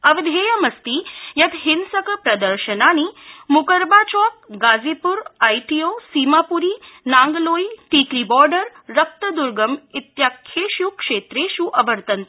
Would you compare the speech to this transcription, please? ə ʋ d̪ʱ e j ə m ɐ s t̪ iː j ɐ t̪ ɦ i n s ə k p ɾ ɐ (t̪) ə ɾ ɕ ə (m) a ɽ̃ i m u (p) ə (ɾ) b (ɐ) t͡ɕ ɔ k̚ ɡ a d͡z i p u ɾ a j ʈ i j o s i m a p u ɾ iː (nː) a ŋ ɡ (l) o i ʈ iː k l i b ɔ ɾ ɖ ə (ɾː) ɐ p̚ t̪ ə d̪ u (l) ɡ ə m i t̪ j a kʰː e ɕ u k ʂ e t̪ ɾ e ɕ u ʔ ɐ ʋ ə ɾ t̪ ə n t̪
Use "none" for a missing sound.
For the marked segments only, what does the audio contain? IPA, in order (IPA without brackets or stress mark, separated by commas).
d̪, n, k, ɾ, a, n, l, ɾː, ɾ